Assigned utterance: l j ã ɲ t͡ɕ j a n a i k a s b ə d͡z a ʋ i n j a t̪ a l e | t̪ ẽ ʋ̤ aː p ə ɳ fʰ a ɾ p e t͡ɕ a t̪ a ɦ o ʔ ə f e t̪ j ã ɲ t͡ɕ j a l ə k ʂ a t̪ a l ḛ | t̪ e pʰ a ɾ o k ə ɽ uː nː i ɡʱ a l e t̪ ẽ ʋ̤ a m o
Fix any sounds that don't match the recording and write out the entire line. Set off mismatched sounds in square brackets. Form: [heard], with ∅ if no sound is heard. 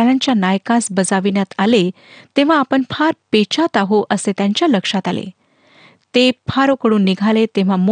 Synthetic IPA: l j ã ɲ t͡ɕ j a n a [j] k a s b ə d͡z a ʋ i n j a t̪ a l e | t̪ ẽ ʋ̤ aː p ə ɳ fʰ a ɾ p e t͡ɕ a t̪ a ɦ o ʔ ə [s] e t̪ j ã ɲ t͡ɕ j a l ə k ʂ a t̪ a l ḛ | t̪ e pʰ a ɾ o k ə ɽ uː nː i ɡʱ a l e t̪ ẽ ʋ̤ a m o